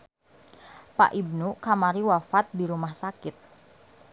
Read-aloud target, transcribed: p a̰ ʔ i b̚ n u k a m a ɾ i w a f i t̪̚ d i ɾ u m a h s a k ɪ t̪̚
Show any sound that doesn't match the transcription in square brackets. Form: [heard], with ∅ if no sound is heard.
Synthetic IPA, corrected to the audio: p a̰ ʔ i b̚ n u k a m a ɾ i w a f [a] t̪̚ d i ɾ u m a h s a k ɪ t̪̚